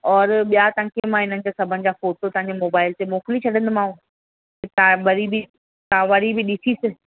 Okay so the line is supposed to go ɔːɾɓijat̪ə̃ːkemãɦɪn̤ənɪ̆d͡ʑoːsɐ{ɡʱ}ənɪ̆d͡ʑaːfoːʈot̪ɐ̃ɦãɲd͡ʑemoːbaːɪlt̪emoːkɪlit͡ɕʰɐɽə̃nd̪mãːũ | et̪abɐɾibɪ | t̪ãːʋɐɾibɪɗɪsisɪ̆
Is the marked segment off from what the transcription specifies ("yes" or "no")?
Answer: yes